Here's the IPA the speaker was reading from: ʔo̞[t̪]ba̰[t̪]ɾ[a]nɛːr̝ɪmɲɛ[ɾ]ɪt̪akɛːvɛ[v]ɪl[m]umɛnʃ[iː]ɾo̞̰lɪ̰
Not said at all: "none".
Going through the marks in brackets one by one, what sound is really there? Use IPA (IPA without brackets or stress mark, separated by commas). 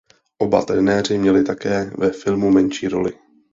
none, t̪, ɛ, l, f, m, iː